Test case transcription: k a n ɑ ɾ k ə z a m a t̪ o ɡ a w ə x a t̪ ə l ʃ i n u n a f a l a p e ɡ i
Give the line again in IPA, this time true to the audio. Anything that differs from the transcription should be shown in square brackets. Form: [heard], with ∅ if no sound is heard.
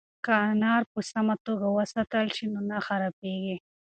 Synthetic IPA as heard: k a n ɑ ɾ [p] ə [s] a m a t̪ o ɡ a w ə [s] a t̪ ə l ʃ i n [o] n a [x] a [ɾ] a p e ɡ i